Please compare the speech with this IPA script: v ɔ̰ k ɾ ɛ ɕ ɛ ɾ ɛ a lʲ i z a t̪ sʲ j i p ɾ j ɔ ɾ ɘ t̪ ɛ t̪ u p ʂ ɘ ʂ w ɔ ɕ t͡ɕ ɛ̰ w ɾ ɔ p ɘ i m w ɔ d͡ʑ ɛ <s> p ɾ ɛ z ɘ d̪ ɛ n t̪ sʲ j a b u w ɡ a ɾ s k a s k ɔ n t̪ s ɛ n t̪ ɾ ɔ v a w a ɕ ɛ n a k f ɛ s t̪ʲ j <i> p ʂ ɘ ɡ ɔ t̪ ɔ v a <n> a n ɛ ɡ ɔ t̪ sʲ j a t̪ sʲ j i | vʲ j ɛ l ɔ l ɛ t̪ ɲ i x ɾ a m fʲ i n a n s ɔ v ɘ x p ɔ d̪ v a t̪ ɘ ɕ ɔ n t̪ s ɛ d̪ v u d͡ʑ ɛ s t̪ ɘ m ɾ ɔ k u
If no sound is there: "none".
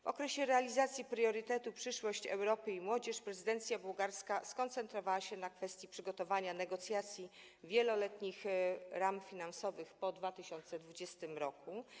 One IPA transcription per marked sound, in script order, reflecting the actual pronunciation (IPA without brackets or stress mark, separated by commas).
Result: ʂ, i, ɲ